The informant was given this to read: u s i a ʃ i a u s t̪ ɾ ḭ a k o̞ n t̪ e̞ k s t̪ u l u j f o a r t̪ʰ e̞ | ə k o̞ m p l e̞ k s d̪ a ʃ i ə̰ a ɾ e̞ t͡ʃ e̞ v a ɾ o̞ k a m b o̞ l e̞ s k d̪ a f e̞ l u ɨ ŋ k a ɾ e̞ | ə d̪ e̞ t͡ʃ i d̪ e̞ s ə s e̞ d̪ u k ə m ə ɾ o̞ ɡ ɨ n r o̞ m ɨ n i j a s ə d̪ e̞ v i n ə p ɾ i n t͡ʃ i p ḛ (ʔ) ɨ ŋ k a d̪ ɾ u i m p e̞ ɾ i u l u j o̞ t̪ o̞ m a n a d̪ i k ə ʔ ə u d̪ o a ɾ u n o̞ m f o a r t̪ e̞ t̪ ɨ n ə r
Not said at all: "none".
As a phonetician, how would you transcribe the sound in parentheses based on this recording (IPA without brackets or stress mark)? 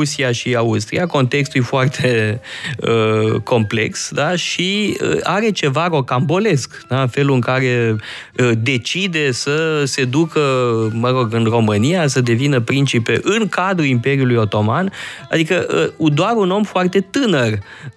ʔ